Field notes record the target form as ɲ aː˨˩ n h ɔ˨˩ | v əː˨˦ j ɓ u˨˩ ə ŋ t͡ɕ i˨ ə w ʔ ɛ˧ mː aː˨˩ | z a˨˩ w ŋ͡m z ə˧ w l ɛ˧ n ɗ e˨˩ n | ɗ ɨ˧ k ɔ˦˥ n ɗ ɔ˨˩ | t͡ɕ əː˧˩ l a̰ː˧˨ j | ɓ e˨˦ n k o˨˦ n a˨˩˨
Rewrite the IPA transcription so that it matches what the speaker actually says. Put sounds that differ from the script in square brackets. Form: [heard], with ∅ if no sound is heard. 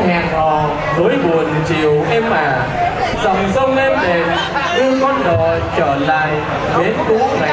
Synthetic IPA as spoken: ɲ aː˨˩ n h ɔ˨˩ | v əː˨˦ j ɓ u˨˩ ə [n] t͡ɕ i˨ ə w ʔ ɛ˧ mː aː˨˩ | z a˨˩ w ŋ͡m z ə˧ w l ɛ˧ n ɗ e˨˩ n | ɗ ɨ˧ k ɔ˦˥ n ɗ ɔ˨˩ | t͡ɕ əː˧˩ l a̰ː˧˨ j | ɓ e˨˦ n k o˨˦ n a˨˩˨